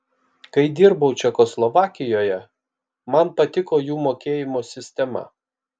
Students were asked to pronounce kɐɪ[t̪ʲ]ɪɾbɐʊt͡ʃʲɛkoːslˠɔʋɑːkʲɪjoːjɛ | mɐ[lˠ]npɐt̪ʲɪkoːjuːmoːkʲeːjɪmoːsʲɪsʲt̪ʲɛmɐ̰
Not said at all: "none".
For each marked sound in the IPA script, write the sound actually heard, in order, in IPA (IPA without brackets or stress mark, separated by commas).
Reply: d̪ʲ, none